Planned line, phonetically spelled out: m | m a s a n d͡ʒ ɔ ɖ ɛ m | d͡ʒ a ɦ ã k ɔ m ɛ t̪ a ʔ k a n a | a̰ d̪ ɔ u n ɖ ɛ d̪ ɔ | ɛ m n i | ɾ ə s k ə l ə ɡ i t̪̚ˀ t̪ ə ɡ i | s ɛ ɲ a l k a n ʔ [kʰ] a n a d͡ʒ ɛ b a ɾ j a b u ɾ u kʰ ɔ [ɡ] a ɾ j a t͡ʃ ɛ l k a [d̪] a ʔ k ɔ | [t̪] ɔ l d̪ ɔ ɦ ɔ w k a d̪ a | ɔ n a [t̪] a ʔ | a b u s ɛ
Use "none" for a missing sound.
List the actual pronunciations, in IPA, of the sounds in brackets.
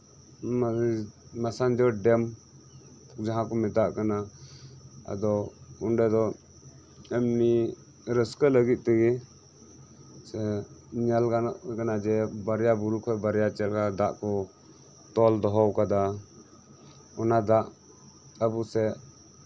k, b, d̪, t̪, d̪

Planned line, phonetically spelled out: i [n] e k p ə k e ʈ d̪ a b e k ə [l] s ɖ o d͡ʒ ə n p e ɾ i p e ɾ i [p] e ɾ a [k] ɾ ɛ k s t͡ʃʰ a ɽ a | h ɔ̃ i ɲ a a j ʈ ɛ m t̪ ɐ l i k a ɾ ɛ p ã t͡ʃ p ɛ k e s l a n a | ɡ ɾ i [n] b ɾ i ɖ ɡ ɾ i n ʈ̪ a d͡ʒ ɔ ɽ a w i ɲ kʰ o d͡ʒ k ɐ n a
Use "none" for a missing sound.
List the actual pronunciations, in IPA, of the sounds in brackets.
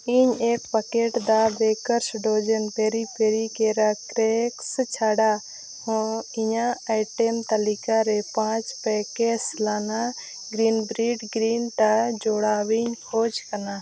ɲ, ɾ, k, k, n

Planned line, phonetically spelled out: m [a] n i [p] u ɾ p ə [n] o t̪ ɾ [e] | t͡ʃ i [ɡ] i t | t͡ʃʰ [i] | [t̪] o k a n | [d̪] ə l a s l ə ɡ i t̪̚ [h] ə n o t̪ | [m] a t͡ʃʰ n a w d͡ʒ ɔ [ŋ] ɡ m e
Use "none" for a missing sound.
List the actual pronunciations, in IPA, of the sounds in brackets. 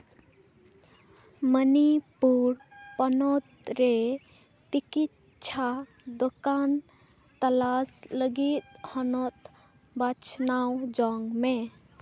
ə, p, n, e, k, a, d̪, t̪, h, b, ŋ

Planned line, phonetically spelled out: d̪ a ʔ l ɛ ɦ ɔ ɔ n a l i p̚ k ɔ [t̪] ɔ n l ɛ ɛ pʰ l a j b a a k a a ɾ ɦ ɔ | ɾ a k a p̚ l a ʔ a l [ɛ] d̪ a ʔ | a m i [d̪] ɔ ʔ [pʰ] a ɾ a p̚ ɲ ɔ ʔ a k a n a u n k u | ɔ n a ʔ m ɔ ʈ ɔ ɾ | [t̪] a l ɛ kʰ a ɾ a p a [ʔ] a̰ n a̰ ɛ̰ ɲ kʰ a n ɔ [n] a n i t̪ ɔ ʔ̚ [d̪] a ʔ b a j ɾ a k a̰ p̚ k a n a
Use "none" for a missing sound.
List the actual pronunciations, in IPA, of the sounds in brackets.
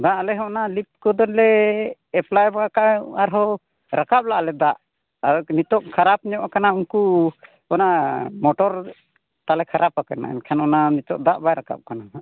d̪, ɛ, t̪, kʰ, t̪, k, n, d̪

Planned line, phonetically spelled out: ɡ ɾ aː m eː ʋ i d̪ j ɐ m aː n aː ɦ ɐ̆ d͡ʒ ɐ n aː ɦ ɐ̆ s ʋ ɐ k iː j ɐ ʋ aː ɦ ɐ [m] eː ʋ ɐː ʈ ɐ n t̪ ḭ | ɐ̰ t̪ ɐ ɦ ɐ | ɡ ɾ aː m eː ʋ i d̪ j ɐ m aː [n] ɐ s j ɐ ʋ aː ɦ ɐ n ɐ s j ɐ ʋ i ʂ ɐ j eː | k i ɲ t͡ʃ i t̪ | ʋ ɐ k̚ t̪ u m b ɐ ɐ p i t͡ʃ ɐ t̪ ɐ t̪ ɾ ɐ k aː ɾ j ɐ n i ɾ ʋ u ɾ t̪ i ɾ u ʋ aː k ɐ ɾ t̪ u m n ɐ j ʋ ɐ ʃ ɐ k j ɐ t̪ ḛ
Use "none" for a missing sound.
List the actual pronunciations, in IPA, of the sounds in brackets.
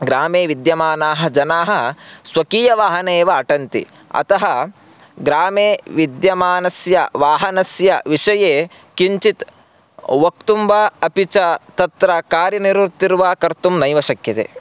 n, n

